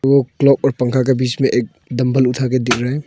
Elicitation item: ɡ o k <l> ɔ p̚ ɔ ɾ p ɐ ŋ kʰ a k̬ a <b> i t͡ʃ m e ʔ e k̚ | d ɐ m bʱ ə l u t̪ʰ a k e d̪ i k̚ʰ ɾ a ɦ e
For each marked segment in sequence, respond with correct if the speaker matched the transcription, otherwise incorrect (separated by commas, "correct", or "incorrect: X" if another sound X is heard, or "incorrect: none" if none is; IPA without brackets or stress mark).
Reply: correct, correct